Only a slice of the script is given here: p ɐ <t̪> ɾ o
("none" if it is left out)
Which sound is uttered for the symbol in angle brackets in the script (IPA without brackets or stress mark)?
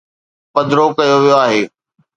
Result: d̪